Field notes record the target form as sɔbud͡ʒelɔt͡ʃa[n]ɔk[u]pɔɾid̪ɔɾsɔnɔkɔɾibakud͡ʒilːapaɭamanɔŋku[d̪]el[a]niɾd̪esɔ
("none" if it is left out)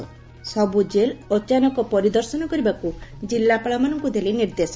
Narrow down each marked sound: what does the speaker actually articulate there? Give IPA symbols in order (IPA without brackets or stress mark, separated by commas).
n, ɔ, d̪, i